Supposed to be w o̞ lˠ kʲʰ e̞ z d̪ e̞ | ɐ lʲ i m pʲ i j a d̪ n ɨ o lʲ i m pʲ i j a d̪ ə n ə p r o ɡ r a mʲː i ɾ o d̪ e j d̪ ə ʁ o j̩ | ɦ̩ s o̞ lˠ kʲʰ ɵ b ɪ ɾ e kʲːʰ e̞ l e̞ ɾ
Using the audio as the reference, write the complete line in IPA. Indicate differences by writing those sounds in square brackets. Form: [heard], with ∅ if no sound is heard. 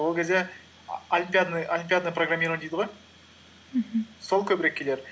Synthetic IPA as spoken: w o̞ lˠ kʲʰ e̞ z d̪ e̞ | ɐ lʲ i m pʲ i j a d̪ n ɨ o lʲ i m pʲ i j a d̪ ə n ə p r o ɡ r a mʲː i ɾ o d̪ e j d̪ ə ʁ o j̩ | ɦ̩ s o̞ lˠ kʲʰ ɵ b ɪ ɾ e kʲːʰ e̞ l e̞ ɾ